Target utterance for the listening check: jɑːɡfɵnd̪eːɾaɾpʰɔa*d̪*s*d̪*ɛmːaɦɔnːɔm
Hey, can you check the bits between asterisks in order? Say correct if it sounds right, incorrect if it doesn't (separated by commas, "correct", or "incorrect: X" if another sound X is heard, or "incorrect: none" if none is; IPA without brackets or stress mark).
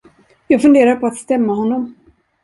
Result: incorrect: t̪, incorrect: t̪